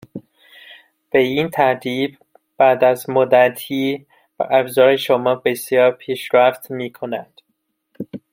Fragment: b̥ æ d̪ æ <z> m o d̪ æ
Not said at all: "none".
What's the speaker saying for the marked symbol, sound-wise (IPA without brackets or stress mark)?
z